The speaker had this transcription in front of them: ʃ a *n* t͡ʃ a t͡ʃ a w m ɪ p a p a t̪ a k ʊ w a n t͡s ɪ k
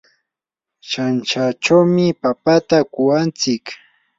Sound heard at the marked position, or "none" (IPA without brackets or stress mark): n